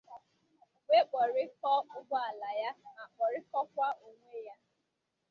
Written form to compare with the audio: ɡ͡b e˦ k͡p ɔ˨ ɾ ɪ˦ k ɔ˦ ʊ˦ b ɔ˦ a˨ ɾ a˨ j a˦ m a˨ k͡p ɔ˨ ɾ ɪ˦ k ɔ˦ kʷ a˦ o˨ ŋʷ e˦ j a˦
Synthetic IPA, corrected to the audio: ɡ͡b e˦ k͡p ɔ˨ ɾ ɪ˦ k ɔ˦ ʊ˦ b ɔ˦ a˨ l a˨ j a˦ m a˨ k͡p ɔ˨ ɾ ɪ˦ k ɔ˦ kʷ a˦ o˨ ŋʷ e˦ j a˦